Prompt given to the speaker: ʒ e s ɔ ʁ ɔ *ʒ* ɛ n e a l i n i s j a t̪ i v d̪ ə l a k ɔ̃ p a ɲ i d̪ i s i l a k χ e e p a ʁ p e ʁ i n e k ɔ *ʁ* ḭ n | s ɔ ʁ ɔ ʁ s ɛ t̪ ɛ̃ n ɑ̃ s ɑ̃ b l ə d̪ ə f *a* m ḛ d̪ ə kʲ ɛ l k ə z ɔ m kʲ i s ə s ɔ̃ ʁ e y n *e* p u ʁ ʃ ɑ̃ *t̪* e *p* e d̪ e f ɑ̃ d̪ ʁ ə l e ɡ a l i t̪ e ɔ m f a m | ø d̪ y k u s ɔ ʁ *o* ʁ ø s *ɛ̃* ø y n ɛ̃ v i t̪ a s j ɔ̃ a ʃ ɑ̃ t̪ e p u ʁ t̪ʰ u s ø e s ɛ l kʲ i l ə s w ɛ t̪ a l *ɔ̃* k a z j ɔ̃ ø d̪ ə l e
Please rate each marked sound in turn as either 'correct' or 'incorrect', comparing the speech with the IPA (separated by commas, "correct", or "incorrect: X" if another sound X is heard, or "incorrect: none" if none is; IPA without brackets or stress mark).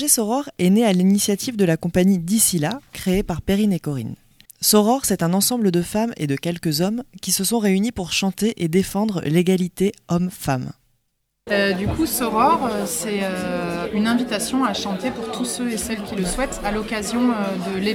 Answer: incorrect: ʁ, correct, correct, incorrect: i, correct, incorrect: ʔ, incorrect: ɔ, incorrect: ɛ, incorrect: ɔ